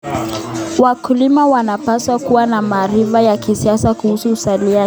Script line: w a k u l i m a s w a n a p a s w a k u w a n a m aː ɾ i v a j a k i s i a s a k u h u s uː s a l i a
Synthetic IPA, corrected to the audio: w a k u l i m a w a n a p a s w a k u w a n a m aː ɾ i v a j a k i s i a s a k u h u s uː s a l i a